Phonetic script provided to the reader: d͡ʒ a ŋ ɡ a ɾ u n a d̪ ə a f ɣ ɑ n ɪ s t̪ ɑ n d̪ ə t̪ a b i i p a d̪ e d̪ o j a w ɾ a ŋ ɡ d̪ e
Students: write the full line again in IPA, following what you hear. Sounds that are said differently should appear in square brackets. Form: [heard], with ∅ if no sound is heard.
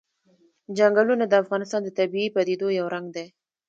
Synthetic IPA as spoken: d͡ʒ a ŋ ɡ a [l] u n a d̪ ə a f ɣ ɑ n ɪ s t̪ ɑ n d̪ ə t̪ a b i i p a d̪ e d̪ o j a w ɾ a ŋ ɡ d̪ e